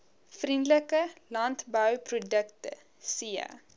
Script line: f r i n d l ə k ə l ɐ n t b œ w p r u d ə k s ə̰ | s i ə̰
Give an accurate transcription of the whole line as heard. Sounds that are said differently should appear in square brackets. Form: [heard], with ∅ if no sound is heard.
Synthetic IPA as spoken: f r i n d l ə k ə l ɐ n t b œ w p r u d ə k [t] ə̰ | s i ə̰